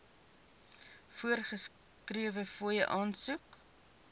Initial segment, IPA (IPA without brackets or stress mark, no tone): f